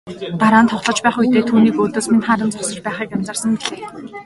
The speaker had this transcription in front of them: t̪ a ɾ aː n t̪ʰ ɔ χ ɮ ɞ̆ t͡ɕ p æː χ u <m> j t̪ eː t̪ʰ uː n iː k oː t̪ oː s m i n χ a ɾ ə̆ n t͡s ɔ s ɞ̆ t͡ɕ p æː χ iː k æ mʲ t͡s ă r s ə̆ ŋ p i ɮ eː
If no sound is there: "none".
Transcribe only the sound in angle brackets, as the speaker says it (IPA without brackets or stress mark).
none